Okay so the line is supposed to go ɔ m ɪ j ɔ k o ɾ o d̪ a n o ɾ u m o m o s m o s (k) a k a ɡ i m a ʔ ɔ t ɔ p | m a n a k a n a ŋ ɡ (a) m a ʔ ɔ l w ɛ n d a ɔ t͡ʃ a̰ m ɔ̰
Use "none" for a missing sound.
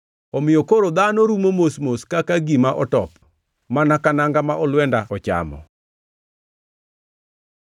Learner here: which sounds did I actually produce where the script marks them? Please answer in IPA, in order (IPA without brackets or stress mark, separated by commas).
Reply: k, a